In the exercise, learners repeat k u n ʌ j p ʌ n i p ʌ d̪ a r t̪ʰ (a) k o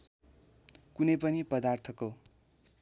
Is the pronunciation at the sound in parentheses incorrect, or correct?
incorrect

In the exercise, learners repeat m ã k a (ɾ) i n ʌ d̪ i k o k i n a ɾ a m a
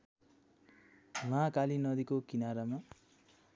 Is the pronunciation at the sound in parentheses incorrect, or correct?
incorrect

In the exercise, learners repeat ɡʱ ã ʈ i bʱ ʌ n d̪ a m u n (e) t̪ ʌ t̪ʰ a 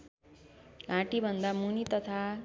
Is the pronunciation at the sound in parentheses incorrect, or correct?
incorrect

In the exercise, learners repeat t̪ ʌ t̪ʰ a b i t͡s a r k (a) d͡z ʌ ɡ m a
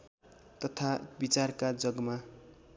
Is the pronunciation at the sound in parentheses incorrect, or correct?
correct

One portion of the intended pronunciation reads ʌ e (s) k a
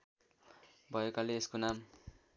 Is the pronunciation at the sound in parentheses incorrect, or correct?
incorrect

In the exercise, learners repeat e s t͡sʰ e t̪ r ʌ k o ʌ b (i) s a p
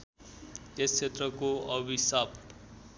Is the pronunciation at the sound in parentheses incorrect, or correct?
correct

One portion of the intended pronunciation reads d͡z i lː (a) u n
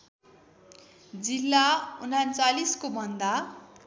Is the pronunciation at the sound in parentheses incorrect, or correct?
correct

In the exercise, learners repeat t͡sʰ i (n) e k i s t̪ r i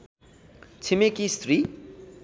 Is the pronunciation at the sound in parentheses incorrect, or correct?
incorrect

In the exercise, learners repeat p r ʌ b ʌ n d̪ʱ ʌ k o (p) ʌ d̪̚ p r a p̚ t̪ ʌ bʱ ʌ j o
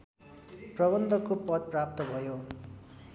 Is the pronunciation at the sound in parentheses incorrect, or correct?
correct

